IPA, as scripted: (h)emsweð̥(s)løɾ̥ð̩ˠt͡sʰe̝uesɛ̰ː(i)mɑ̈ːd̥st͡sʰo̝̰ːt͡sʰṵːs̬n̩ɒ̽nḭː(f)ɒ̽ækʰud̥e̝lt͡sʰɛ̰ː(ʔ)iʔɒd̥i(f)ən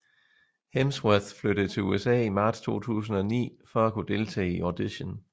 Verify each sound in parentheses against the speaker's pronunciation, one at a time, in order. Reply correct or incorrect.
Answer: correct, incorrect, correct, correct, incorrect, incorrect

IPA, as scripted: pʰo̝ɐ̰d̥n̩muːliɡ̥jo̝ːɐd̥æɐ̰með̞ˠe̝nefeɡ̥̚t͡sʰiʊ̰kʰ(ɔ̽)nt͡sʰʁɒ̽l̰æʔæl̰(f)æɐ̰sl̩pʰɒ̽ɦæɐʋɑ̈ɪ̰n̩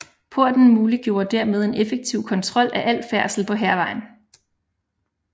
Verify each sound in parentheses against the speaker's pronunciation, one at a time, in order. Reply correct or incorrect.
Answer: incorrect, correct

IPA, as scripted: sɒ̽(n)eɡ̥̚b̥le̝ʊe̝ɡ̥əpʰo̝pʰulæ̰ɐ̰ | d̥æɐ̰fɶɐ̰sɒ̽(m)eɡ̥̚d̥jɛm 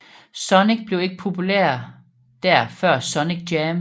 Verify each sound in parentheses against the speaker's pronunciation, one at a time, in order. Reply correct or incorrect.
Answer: correct, incorrect

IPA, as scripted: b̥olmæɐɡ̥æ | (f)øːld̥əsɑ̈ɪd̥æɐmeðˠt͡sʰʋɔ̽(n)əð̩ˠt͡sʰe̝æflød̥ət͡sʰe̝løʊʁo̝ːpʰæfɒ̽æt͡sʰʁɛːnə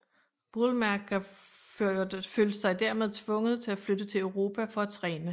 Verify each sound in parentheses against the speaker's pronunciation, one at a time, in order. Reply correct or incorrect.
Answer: correct, incorrect

